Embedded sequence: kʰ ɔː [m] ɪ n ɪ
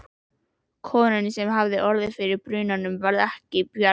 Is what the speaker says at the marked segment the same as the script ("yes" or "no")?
no